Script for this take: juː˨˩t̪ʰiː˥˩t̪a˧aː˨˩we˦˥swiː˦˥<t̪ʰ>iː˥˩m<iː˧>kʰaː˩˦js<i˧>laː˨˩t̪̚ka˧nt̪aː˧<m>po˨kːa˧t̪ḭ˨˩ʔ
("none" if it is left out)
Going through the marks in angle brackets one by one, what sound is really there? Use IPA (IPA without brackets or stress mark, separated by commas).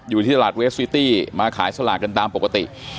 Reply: t̪, aː˧, a˧, m